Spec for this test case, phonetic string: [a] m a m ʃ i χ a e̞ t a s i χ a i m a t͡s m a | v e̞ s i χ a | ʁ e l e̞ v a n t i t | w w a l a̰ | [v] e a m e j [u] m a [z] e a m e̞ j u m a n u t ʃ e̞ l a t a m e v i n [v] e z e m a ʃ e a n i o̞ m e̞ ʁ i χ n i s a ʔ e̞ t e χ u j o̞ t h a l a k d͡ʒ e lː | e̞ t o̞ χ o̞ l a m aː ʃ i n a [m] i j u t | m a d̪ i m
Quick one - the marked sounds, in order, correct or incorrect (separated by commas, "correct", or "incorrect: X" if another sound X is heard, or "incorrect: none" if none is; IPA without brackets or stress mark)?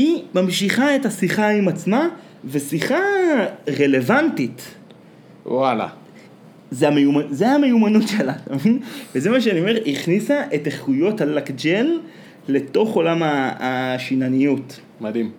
incorrect: i, incorrect: z, correct, correct, correct, incorrect: n